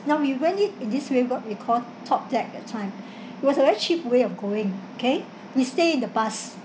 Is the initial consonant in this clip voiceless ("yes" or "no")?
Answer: no